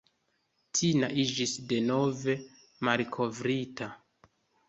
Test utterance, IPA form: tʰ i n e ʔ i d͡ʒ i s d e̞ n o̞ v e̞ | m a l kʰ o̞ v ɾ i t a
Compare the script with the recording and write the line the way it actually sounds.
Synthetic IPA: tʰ i n a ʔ i d͡ʒ i s d e̞ n o̞ v e̞ | m a l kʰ o̞ v ɾ i t a